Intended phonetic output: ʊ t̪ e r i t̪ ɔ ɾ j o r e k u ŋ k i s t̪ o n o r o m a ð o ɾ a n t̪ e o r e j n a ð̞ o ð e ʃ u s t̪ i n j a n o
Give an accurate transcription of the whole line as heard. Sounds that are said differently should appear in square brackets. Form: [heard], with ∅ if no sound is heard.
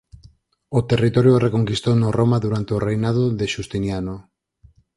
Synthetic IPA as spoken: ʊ t̪ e r i t̪ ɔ ɾ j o r e k [o] ŋ k i s t̪ o n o r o m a ð [u] ɾ a n t̪ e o r e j n a ð̞ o ð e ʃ u s t̪ i n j a n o